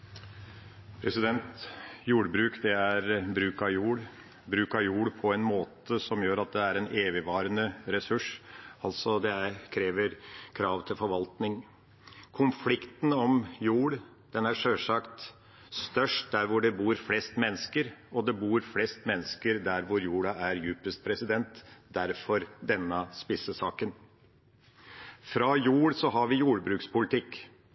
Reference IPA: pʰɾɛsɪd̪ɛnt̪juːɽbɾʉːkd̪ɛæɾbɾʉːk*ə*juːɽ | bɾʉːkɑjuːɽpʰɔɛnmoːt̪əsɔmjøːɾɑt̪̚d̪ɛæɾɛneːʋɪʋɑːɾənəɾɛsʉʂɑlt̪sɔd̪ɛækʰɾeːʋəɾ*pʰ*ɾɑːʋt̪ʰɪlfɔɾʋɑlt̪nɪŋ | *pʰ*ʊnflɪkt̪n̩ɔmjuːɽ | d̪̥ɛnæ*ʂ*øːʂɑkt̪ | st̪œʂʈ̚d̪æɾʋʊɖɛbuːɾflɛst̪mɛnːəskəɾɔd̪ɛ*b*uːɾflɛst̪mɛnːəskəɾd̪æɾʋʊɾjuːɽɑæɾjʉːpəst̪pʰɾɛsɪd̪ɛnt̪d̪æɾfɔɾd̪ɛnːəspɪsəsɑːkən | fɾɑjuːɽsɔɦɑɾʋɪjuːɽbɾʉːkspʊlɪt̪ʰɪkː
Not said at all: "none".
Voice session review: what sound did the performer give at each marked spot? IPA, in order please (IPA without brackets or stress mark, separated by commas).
ɑ, kʰ, kʰ, ʂ, b